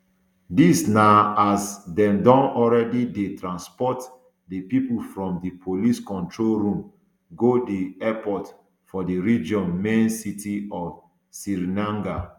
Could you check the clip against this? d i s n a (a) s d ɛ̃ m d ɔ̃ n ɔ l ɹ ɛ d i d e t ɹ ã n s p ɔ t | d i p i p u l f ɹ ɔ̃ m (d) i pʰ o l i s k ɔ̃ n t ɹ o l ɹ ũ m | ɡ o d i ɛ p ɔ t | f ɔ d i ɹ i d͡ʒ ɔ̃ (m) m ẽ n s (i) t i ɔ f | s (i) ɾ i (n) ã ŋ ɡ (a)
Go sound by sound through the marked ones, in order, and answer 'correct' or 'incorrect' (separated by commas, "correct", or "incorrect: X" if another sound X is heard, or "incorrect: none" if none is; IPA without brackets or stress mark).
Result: correct, correct, incorrect: n, correct, correct, correct, correct